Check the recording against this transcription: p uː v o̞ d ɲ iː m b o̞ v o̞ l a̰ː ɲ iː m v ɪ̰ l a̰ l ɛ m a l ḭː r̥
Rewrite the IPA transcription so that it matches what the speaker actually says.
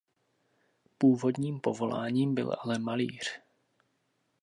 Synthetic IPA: p uː v o̞ d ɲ iː m p o̞ v o̞ l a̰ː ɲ iː m b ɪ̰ l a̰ l ɛ m a l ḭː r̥